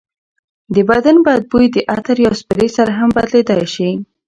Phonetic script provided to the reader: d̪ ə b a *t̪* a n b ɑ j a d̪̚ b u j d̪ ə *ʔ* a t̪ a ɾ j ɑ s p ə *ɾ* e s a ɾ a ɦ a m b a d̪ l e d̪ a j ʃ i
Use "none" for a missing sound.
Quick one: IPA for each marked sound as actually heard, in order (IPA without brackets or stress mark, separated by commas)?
d̪, ʔ, ɾ